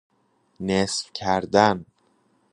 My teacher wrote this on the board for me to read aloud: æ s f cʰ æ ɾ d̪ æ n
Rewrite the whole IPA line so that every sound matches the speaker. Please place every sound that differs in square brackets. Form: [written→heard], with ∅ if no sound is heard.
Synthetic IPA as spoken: [æ→e] s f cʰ æ ɾ d̪ æ n